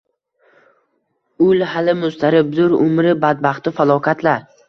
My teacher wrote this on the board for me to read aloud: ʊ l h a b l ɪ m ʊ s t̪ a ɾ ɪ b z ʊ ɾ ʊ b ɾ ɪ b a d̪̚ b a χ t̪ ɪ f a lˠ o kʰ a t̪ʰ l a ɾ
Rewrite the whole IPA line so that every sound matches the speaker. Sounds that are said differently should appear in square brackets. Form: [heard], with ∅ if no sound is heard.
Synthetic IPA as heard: ʊ l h a [∅] l ɪ m ʊ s t̪ a ɾ ɪ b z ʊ ɾ ʊ [m] ɾ ɪ b a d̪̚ b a χ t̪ ɪ f a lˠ [ɒ] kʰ a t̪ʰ l a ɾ

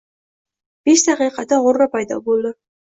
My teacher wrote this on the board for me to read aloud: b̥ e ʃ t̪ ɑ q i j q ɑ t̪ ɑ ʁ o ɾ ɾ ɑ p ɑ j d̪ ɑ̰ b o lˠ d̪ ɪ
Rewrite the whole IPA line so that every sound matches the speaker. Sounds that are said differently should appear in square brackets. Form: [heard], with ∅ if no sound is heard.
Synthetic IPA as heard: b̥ e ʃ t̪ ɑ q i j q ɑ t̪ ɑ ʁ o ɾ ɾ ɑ p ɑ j d̪ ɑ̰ b o lˠ d̪ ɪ

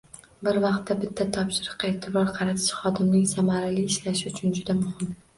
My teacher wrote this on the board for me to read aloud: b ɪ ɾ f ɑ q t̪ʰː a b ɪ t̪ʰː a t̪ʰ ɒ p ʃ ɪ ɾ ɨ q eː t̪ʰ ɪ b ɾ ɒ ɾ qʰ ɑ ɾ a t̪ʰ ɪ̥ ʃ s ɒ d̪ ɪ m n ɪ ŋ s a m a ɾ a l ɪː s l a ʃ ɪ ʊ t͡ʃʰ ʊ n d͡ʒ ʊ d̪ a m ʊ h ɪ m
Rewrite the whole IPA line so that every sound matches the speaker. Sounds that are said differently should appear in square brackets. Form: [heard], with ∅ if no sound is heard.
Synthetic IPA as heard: b ɪ ɾ [v] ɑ q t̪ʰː a b ɪ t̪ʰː a t̪ʰ ɒ p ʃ ɪ ɾ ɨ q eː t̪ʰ ɪ b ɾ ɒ ɾ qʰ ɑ ɾ a t̪ʰ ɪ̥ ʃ [χ] ɒ d̪ ɪ m n ɪ ŋ s a m a ɾ a l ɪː [ʃ] l a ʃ ɪ ʊ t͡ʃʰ ʊ n d͡ʒ ʊ d̪ a m ʊ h ɪ m

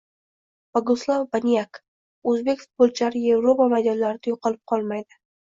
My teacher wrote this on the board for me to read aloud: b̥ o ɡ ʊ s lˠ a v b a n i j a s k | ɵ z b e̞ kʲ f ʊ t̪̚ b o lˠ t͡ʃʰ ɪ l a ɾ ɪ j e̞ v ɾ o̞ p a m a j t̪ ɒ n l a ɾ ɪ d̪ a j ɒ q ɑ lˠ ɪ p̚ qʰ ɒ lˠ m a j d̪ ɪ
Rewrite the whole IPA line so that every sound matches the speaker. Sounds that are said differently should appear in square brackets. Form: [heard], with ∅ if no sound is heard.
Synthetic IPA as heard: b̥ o ɡ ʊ s lˠ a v b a n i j a [∅] k | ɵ z b e̞ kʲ f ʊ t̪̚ b o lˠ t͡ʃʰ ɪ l a ɾ ɪ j e̞ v ɾ o̞ p a m a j [d̪] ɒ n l a ɾ ɪ d̪ a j [o] q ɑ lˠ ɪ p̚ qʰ ɒ lˠ m a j d̪ ɪ

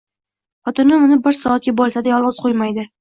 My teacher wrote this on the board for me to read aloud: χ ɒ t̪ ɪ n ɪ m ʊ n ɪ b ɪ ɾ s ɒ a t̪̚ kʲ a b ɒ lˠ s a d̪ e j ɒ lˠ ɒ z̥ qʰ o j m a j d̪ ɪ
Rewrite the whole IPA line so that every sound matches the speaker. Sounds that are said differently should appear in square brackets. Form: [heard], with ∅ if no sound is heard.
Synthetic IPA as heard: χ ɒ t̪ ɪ n ɪ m ʊ n ɪ b ɪ ɾ s ɒ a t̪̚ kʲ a b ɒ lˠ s a d̪ [a] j ɒ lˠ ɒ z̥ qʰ o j m a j d̪ ɪ

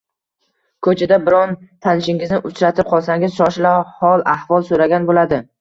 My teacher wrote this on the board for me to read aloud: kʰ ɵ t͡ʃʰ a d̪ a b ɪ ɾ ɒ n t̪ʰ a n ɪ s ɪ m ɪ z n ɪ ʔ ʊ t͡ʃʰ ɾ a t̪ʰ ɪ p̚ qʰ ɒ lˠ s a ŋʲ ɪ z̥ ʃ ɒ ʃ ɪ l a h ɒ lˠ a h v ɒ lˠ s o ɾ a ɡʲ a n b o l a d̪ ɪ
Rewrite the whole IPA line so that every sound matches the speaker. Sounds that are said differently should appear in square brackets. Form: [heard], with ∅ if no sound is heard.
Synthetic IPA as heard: kʰ ɵ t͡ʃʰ a d̪ a b ɪ ɾ ɒ n t̪ʰ a n ɪ [ʃ] ɪ [ŋ] ɪ z n ɪ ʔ ʊ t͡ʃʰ ɾ a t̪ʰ ɪ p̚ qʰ ɒ lˠ s a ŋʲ ɪ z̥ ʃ ɒ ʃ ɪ l a h ɒ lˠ a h v ɒ lˠ s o ɾ a ɡʲ a n b o l a d̪ ɪ

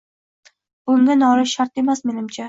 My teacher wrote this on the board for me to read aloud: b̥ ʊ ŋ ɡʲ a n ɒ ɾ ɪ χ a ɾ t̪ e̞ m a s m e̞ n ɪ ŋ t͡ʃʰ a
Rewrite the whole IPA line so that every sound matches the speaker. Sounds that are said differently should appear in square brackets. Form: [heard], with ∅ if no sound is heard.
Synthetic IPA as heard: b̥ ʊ ŋ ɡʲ a n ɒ ɾ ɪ [ʃ] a ɾ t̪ e̞ m a s m e̞ n ɪ [m] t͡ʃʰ a

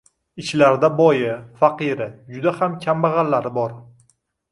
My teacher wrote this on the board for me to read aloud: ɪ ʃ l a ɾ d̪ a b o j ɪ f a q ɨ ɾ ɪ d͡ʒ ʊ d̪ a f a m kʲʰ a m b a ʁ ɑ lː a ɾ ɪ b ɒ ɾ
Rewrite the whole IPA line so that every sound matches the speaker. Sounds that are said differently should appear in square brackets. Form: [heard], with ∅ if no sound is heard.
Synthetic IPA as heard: ɪ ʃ l a ɾ d̪ a b [ɒ] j ɪ f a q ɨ ɾ ɪ d͡ʒ ʊ d̪ a [h] a m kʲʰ a m b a ʁ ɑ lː a ɾ ɪ b ɒ ɾ

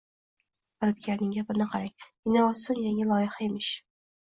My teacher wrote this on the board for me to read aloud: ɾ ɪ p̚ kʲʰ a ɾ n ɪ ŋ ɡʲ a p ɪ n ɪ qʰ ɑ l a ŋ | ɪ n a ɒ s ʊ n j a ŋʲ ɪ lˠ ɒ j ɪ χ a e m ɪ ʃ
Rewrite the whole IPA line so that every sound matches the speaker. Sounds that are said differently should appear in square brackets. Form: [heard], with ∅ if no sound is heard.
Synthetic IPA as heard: ɾ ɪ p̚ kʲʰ a ɾ n ɪ ŋ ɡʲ a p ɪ n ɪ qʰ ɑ [ɾ] a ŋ | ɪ n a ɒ s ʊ n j a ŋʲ ɪ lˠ ɒ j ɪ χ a e m ɪ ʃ

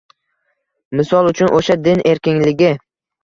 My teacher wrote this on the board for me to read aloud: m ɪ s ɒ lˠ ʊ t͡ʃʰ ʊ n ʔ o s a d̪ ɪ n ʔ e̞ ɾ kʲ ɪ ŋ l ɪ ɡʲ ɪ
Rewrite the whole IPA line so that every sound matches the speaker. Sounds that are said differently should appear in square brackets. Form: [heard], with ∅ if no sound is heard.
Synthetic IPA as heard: m ɪ s ɒ lˠ ʊ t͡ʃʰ ʊ n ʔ o [ʃ] a d̪ ɪ n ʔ e̞ ɾ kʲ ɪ ŋ l ɪ ɡʲ ɪ

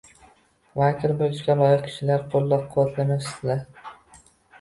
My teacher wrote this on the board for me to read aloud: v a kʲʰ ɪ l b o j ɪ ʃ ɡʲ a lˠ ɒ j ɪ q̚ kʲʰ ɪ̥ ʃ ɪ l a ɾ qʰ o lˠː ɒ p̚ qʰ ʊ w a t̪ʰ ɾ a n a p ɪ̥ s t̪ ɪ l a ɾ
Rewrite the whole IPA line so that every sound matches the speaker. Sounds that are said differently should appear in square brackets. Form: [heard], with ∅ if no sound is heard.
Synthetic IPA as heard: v a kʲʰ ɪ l b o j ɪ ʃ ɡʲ a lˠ ɒ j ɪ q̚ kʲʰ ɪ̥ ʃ ɪ l a ɾ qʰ o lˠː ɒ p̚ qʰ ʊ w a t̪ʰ [l] a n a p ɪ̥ s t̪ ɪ l a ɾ

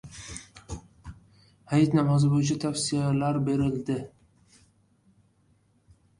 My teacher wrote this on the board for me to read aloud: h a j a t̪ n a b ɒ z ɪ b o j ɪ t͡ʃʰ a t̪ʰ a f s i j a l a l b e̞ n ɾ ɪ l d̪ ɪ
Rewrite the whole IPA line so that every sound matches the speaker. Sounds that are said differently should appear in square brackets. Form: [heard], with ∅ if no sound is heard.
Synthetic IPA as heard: h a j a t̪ n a [m] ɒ z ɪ b o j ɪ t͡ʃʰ a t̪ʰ a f s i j a l a [ɾ] b e̞ [∅] ɾ ɪ l d̪ ɪ

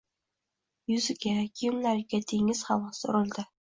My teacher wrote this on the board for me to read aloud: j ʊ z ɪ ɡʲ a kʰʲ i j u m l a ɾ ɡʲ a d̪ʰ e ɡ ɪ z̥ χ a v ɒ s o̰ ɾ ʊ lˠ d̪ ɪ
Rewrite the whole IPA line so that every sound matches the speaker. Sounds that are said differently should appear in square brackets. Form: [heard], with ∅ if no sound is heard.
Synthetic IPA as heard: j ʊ z ɪ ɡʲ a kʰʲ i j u m l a ɾ ɡʲ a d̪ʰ e [ŋ] ɪ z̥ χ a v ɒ s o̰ ɾ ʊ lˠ d̪ ɪ

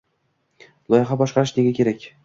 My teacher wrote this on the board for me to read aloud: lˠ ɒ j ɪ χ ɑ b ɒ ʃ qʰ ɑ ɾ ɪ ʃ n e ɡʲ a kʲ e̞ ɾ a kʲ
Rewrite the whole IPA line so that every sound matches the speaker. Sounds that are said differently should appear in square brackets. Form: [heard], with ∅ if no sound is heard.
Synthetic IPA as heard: lˠ ɒ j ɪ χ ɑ b ɒ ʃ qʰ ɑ ɾ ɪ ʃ n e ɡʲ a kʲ e̞ ɾ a kʲ

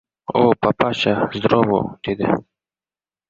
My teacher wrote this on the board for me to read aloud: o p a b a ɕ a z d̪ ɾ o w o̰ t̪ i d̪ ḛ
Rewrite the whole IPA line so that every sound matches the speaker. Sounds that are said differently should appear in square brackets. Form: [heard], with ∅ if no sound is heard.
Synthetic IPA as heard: o p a [p] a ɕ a z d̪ ɾ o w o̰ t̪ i d̪ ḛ

